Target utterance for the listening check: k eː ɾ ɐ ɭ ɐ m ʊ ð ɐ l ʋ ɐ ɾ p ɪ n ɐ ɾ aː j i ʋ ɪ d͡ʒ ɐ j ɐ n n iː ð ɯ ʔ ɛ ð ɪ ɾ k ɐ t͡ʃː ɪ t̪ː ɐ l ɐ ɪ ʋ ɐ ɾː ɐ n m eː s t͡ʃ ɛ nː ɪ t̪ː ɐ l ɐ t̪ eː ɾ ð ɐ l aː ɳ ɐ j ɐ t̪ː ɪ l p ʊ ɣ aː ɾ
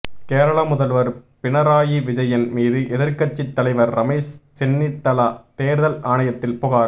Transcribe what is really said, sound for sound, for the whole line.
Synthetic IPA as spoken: k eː ɾ ɐ ɭ ɐ m ʊ ð ɐ l ʋ ɐ ɾ p ɪ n ɐ ɾ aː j i ʋ ɪ d͡ʒ ɐ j ɐ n m iː ð ɯ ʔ ɛ ð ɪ ɾ k ɐ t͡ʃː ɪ t̪ː ɐ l ɐ ɪ ʋ ɐ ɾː ɐ m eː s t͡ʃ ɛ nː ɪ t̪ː ɐ l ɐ t̪ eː ɾ ð ɐ l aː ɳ ɐ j ɐ t̪ː ɪ l p ʊ ɣ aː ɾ